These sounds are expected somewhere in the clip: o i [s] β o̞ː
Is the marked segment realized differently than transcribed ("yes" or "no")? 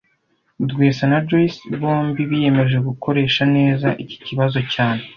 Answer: no